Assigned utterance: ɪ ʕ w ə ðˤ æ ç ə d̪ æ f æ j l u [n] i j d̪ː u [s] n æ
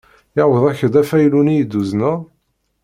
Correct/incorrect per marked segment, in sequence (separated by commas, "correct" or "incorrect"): correct, incorrect